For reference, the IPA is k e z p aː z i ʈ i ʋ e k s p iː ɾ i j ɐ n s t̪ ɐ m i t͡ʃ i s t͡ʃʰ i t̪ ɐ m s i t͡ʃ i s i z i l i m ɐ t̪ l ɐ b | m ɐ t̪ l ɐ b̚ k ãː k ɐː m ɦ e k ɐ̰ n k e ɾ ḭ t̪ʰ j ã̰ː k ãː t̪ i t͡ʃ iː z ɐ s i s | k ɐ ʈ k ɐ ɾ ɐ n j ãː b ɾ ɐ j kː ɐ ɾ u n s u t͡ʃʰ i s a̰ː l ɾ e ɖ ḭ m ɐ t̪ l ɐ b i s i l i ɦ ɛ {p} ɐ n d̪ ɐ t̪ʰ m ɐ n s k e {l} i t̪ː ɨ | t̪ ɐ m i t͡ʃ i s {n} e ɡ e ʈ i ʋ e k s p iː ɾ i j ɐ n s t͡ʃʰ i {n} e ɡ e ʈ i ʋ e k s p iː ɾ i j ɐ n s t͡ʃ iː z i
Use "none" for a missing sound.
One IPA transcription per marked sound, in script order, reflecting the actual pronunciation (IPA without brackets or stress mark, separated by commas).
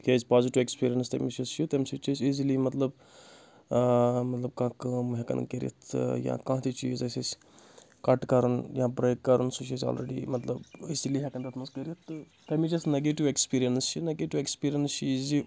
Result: k, ɾ, n, n